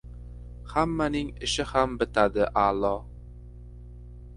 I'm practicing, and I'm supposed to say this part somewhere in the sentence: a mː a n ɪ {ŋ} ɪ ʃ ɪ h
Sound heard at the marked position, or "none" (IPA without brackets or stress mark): ŋ